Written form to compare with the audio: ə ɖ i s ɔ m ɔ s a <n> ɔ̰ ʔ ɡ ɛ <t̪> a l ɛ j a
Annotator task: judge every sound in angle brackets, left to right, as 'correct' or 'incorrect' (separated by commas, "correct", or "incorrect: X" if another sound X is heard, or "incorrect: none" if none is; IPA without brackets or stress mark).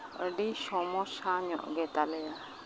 incorrect: ɲ, correct